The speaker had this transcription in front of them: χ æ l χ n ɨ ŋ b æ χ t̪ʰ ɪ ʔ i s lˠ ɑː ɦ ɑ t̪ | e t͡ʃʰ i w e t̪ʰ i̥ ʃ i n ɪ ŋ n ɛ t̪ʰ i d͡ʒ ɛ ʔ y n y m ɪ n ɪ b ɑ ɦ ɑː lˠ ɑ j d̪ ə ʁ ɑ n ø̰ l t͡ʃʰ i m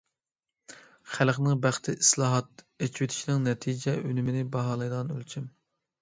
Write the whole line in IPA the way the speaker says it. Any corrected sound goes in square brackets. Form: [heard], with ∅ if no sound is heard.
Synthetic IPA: χ æ l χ n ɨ ŋ b æ χ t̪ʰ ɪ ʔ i s lˠ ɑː ɦ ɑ t̪ | e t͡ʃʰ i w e t̪ʰ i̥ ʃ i n ɪ ŋ n ɛ t̪ʰ i d͡ʒ ɛ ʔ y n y m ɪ n ɪ b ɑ ɦ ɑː lˠ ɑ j d̪ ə ʁ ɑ n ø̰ l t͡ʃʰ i m